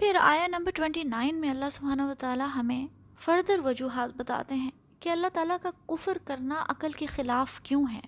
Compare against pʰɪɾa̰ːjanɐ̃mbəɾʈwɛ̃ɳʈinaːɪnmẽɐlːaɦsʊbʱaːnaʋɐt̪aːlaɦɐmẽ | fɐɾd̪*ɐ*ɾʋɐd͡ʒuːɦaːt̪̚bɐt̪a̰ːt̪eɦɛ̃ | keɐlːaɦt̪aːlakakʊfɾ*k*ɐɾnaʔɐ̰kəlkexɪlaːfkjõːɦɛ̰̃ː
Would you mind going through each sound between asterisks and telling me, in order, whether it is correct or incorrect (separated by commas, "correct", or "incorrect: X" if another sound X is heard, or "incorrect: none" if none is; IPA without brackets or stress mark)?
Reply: incorrect: ə, correct